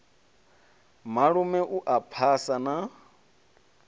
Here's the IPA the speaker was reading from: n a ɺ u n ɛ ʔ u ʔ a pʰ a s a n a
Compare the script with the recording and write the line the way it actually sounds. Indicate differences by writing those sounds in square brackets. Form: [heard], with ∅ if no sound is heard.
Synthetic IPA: [m] a ɺ u [m] ɛ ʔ u ʔ a pʰ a s a n a